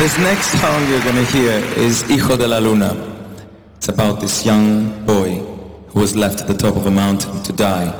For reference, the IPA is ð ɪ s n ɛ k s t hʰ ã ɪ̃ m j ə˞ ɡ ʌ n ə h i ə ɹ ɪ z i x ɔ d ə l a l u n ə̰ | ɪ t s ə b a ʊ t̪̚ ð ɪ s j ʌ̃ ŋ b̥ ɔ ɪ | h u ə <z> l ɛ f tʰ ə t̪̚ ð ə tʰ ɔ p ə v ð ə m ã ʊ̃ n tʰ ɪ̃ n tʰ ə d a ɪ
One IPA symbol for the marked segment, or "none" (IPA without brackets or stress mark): z